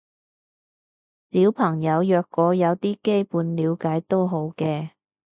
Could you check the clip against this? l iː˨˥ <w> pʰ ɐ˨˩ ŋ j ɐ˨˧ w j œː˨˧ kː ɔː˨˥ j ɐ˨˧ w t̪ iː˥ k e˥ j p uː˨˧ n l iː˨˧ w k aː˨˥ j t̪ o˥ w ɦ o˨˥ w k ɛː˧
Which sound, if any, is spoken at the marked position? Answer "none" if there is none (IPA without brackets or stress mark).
w